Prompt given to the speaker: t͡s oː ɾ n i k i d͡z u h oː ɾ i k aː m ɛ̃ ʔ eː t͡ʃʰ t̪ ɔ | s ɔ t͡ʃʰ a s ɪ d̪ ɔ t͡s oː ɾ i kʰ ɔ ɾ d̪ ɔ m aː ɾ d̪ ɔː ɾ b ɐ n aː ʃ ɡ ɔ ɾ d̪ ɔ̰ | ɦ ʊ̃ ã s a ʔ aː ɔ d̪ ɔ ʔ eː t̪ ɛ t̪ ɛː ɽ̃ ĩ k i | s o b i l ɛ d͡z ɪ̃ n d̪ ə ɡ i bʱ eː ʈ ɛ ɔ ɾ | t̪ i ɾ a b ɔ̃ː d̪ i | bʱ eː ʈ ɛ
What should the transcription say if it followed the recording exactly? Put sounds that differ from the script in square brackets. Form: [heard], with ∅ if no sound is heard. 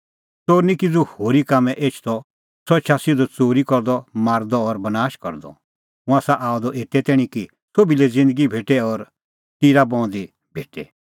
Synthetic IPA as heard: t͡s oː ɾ n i k i d͡z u h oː ɾ i k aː m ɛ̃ ʔ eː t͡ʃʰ t̪ ɔ | s ɔ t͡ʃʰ a s ɪ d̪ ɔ t͡s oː ɾ i [k] ɔ ɾ d̪ ɔ m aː ɾ d̪ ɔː ɾ b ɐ n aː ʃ [k] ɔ ɾ d̪ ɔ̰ | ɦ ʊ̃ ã s a ʔ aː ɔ d̪ ɔ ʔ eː t̪ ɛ t̪ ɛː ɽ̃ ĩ k i | s o b i l ɛ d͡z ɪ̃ n d̪ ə ɡ i bʱ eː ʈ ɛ ɔ ɾ | t̪ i ɾ a b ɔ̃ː d̪ i | bʱ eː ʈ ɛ